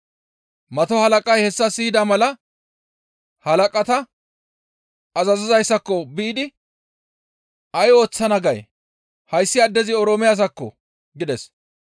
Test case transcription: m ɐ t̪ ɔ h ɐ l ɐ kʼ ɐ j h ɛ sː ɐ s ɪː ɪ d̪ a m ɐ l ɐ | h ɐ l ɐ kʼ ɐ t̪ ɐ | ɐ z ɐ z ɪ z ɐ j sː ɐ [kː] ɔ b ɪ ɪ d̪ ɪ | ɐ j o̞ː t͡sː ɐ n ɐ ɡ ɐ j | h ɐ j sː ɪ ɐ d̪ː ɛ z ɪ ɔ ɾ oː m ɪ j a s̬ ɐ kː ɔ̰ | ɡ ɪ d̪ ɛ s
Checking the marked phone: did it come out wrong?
no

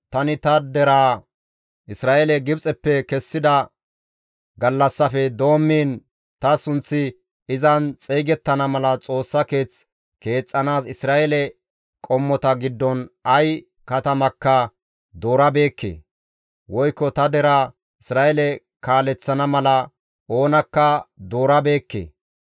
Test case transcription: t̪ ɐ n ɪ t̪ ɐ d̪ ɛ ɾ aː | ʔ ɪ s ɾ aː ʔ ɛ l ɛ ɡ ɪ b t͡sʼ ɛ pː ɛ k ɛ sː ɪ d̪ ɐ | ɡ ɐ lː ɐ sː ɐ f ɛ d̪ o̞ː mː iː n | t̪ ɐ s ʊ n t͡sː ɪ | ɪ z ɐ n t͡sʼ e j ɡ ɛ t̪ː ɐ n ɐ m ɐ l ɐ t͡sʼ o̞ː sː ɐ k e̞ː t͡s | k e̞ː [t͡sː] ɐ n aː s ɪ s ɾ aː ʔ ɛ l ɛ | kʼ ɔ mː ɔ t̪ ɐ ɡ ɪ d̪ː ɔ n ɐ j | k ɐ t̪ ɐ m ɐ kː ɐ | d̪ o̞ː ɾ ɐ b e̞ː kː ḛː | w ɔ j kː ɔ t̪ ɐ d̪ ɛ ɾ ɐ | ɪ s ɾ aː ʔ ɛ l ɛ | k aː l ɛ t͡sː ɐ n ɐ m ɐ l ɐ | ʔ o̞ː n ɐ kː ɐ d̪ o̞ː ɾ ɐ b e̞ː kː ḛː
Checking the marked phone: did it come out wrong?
yes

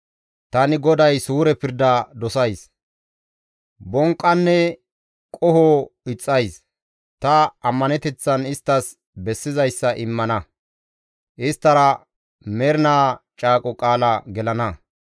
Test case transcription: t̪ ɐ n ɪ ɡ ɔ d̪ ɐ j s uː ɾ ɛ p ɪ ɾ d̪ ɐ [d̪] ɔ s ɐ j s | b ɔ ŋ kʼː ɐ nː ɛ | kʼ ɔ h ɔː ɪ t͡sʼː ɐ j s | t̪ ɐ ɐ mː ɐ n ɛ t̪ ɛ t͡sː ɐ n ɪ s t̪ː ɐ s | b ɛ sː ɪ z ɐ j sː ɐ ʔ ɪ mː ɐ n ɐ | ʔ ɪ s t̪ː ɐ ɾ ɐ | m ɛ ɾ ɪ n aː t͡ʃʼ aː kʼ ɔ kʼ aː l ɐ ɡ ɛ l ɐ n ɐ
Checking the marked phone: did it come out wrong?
no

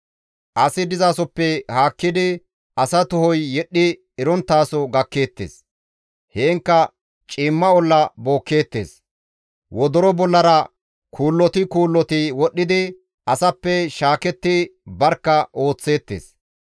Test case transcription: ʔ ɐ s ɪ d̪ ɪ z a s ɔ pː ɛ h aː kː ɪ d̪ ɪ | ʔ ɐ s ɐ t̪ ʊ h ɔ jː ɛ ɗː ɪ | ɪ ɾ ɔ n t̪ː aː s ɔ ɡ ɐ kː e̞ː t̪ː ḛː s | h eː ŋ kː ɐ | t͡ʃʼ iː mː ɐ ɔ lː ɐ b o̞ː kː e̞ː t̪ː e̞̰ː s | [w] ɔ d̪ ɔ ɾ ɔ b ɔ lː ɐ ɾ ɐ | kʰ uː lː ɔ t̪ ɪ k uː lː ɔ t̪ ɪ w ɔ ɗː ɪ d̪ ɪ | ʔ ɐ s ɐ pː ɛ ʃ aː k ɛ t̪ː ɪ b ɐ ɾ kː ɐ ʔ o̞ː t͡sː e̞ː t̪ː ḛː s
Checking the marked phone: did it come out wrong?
no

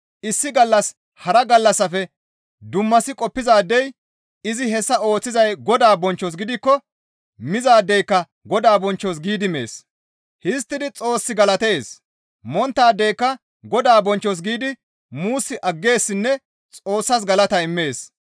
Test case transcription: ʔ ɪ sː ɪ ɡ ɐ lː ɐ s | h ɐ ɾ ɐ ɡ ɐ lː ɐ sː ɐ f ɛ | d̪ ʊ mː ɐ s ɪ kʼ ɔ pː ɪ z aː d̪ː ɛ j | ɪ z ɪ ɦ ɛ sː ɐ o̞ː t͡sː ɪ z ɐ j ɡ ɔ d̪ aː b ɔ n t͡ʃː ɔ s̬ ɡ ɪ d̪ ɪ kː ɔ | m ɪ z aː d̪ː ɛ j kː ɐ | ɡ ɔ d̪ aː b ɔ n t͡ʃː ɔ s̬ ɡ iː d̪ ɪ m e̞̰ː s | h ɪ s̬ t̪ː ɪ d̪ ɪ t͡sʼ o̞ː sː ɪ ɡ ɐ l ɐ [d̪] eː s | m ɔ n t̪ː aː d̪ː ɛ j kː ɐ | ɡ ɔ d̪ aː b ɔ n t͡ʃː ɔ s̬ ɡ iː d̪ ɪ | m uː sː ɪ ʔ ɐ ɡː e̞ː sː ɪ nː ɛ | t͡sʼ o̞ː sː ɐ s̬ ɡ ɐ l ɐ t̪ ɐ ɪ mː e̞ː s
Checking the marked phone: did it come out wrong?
yes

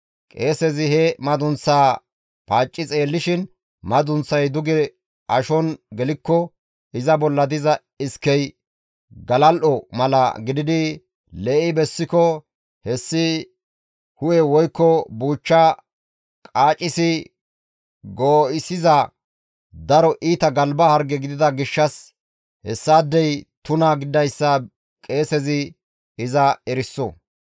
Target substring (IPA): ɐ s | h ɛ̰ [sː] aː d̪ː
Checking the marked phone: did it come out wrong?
no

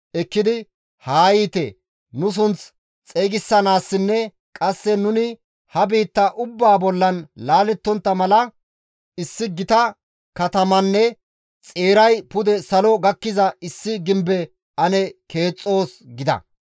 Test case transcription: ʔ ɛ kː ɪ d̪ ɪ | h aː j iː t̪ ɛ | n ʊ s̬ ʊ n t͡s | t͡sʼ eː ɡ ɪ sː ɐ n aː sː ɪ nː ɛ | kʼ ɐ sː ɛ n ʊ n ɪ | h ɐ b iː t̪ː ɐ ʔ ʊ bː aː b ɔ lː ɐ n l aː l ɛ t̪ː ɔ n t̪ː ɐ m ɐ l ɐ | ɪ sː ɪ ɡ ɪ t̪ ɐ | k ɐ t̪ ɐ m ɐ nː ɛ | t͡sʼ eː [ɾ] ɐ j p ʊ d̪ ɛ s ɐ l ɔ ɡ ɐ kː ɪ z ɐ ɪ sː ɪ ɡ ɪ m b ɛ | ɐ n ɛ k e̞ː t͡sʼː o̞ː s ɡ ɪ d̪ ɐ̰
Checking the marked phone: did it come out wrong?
no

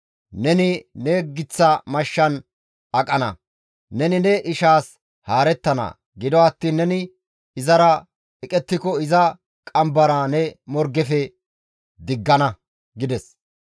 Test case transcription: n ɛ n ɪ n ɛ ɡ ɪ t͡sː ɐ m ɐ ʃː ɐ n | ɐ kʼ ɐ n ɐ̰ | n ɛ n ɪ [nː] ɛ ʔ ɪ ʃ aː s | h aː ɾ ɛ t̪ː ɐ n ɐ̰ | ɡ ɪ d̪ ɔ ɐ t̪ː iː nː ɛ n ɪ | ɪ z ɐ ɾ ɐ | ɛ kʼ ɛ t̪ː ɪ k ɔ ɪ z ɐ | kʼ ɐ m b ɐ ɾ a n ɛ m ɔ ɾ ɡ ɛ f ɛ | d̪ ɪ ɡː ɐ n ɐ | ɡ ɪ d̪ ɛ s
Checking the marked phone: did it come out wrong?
yes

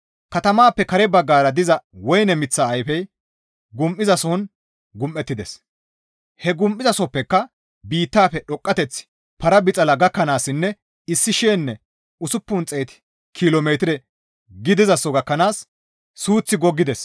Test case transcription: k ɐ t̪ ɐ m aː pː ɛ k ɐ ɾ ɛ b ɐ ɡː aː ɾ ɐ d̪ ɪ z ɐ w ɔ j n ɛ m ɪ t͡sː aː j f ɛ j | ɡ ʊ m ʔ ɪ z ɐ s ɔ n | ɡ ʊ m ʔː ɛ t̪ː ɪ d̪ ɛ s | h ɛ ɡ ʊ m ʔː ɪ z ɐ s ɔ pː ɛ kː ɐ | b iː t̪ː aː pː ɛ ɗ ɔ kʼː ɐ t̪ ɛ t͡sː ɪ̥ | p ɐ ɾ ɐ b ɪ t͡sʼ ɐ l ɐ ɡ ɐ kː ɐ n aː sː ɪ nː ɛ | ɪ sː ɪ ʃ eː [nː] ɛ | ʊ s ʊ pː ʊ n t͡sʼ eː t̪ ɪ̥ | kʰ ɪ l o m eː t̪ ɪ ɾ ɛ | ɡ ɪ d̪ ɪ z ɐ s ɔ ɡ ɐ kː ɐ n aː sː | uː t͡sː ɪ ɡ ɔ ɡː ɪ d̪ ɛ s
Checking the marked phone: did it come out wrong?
no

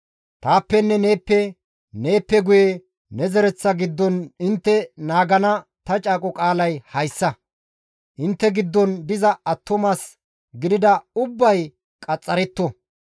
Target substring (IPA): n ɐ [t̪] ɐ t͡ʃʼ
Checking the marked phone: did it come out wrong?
no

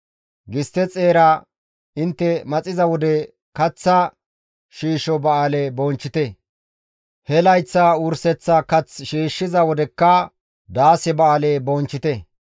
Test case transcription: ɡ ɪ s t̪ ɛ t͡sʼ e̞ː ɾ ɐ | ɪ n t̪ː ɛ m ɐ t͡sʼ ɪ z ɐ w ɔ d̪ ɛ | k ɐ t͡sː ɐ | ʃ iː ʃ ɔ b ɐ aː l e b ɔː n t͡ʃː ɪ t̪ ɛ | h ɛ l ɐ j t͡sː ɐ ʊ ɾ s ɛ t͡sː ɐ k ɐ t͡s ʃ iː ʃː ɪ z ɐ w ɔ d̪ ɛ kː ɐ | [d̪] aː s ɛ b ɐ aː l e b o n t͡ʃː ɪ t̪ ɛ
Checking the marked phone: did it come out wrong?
no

